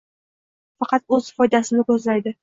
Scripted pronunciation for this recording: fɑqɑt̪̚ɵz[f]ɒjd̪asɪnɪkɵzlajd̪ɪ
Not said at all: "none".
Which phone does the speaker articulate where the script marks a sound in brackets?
f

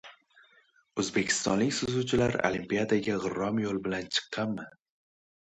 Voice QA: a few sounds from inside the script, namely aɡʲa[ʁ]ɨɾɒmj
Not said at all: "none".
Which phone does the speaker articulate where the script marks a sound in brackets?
ʁ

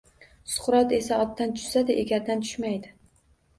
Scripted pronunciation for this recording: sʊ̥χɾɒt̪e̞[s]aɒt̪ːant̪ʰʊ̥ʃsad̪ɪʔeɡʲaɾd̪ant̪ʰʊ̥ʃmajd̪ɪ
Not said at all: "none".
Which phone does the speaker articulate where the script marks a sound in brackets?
s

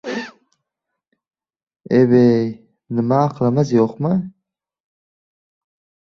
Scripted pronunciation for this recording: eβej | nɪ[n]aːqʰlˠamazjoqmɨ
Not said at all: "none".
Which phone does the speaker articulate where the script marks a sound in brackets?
m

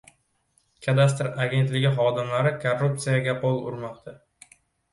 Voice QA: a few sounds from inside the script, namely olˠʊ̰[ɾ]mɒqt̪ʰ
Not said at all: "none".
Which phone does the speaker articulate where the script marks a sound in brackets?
ɾ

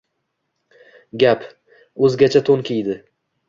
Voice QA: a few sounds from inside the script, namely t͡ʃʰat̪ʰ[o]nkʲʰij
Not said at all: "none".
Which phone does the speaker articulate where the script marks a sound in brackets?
o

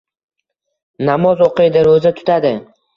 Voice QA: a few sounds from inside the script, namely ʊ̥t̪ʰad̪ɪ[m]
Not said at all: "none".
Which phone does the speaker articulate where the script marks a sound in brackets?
none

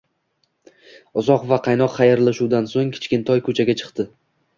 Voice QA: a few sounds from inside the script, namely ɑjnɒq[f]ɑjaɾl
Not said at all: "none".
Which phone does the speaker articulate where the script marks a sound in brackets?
χ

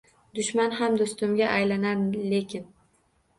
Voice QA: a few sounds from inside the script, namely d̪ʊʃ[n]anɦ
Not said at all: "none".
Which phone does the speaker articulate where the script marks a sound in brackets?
m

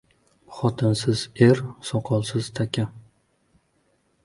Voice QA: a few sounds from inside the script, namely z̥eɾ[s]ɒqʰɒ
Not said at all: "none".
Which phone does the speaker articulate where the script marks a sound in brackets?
s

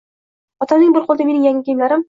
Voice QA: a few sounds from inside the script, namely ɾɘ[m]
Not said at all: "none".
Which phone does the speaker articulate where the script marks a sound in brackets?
m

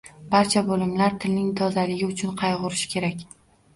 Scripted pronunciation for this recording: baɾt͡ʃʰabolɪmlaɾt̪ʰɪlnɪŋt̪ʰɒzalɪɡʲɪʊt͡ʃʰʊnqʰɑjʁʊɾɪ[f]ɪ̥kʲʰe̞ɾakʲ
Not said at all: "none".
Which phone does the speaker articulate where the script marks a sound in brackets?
ʃ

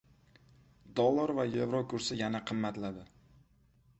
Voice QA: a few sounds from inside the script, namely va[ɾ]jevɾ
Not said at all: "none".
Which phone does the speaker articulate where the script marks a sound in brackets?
none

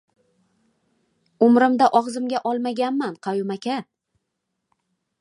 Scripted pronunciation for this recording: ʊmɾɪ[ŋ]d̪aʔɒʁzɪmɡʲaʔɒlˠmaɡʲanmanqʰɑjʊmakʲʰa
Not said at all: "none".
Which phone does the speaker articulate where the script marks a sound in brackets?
m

